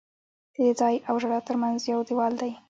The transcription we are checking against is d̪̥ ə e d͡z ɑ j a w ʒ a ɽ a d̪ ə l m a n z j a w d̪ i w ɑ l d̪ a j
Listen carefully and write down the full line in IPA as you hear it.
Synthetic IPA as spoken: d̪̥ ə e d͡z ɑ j a w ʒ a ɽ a t̪ ə ɾ m a n z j a w d̪ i w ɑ l d̪ a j